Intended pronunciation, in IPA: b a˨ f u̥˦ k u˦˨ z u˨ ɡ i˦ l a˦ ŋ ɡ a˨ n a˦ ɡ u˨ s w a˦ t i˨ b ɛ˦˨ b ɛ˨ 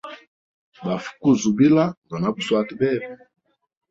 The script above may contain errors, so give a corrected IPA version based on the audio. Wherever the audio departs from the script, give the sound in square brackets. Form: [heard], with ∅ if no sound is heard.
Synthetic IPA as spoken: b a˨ f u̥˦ k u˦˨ z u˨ [b] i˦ l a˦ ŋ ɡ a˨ n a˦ [b] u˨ s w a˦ t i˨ b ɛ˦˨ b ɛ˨